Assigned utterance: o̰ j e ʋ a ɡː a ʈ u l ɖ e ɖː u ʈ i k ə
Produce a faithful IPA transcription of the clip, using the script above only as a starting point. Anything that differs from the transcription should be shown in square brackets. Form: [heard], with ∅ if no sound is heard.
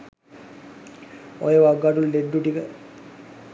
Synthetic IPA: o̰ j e ʋ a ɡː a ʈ u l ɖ e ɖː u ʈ i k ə

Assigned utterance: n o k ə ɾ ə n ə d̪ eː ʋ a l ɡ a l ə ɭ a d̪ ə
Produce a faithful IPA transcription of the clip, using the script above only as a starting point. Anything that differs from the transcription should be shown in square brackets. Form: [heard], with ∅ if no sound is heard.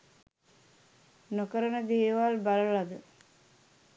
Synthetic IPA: n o k ə ɾ ə n ə d̪ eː ʋ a l [b] a l ə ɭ a d̪ ə

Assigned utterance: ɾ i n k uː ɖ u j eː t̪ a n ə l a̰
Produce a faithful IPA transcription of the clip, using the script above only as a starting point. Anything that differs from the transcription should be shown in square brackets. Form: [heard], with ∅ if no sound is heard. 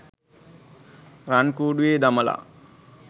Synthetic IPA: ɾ [a] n k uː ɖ u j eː [d̪] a [m] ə l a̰

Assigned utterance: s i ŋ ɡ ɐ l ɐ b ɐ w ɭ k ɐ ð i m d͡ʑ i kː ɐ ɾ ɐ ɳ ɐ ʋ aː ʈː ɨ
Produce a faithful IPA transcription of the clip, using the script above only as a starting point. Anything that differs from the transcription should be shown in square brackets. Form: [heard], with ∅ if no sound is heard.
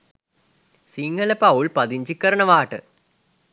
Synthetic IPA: s i ŋ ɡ ɐ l ɐ [p] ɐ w ɭ [p] ɐ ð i [ɲ] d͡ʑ i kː ɐ ɾ ɐ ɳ ɐ ʋ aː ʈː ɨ

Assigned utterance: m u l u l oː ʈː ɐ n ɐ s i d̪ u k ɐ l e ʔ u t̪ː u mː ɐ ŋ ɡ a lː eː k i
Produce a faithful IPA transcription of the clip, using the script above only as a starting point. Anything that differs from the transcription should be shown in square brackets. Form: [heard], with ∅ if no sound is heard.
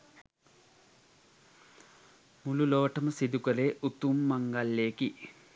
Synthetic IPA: m u l u l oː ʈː ɐ [m] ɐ s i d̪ u k ɐ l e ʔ u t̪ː u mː ɐ ŋ ɡ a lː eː k i

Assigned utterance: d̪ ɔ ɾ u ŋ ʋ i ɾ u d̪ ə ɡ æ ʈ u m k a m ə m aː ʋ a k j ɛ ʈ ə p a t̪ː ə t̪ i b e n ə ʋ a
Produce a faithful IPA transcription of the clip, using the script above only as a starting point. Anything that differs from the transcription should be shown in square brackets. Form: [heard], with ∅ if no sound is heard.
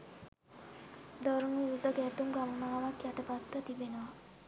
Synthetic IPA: d̪ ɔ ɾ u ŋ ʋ i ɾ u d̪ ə ɡ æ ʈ u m [ɡ] a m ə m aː ʋ a k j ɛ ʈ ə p a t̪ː ə t̪ i b e n ə ʋ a

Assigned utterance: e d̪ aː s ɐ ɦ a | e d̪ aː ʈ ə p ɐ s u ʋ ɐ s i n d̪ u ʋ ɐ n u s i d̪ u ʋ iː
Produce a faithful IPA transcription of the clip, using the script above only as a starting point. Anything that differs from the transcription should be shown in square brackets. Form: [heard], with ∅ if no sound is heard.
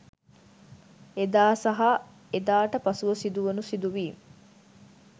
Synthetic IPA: e d̪ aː s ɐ ɦ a | e d̪ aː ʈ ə p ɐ s u ʋ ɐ s i [∅] d̪ u ʋ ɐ n u s i d̪ u ʋ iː

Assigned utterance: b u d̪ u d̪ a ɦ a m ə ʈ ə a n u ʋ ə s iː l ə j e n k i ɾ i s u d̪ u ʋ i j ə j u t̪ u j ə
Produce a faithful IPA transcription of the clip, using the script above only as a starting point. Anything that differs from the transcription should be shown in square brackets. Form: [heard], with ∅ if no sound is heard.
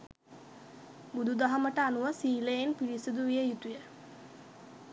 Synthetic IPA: b u d̪ u d̪ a ɦ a m ə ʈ ə a n u ʋ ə s iː l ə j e n [p] i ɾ i s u d̪ u ʋ i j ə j u t̪ u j ə

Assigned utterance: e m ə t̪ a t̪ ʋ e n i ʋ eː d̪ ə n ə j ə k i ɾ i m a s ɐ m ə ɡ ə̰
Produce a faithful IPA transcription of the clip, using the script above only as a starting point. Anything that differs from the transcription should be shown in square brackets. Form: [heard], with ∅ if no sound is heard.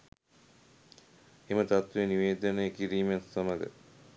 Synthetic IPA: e m ə t̪ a t̪ ʋ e n i ʋ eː d̪ ə n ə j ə k i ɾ [iː] m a s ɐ m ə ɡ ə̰

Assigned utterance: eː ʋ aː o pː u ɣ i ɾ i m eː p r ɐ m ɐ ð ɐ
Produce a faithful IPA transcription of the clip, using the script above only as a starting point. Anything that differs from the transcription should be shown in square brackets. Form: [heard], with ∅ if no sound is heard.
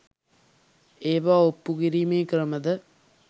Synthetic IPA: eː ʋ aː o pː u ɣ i ɾ i m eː [k] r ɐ m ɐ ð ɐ

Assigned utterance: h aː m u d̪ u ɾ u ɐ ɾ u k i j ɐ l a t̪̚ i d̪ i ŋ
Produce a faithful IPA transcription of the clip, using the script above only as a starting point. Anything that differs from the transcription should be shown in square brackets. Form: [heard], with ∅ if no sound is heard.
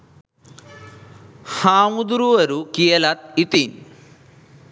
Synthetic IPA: h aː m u d̪ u ɾ u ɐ ɾ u k i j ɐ l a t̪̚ i [t̪] i [n]

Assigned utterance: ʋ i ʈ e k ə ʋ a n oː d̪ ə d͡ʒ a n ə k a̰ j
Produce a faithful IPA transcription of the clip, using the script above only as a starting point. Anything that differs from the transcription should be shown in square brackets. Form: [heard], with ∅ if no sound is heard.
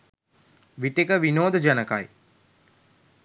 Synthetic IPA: ʋ i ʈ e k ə ʋ [i] n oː d̪ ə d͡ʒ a n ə k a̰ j

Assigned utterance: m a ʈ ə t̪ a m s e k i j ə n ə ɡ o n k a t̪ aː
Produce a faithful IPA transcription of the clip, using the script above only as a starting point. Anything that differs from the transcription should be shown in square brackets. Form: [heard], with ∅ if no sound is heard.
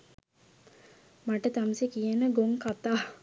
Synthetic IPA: m a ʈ ə t̪ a m s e k i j ə n ə ɡ o [ŋ] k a t̪ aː

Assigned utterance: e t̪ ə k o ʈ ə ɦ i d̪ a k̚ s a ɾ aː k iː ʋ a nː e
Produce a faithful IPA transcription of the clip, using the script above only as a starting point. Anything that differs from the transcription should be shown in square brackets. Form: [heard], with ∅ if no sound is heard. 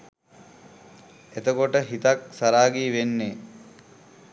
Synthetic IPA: e t̪ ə k o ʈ ə ɦ i [t̪] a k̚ s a ɾ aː [ɡ] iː ʋ [e] nː e

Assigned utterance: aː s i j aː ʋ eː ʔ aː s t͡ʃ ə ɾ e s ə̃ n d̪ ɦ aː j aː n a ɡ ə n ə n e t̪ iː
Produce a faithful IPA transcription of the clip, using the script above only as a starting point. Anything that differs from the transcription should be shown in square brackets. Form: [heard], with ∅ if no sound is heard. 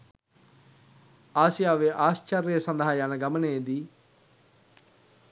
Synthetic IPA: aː s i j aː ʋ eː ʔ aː s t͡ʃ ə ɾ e s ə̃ n d̪ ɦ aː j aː n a ɡ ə [m] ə n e [d̪] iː

